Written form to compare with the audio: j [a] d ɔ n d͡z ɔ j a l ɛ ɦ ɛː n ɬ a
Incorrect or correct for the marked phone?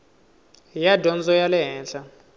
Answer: correct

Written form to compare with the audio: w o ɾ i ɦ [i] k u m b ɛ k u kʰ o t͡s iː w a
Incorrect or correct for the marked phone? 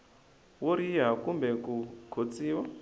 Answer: incorrect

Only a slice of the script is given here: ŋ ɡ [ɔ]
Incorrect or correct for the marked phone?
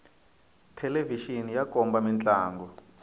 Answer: correct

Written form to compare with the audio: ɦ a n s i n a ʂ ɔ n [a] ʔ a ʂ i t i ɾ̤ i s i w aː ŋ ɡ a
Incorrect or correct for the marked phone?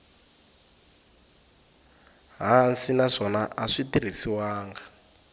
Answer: correct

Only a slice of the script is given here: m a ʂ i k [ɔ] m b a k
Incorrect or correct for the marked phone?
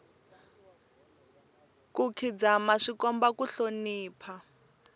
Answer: correct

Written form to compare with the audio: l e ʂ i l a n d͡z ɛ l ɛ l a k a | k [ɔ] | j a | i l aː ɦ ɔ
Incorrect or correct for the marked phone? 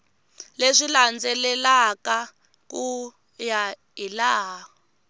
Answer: incorrect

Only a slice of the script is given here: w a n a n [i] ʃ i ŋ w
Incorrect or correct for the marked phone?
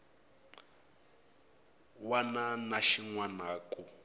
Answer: incorrect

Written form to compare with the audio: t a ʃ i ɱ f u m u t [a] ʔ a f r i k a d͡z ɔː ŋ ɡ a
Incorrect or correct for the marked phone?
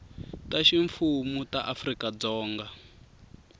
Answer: correct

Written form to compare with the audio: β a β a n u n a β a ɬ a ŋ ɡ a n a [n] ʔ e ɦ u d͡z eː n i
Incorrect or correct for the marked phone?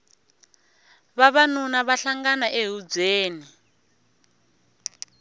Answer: incorrect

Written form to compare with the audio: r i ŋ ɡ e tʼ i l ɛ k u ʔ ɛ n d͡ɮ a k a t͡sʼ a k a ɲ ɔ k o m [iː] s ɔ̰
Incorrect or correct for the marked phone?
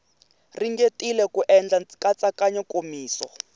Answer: correct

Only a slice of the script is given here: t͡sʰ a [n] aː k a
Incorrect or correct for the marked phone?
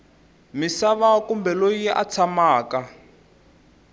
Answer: incorrect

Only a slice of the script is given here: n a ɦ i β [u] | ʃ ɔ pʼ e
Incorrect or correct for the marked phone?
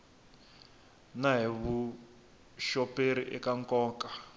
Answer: correct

